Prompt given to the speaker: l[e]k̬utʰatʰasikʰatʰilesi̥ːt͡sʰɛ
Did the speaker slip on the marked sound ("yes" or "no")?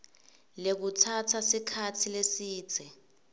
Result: no